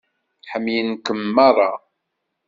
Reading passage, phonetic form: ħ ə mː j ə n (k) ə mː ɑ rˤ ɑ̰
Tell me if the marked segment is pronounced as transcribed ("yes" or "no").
yes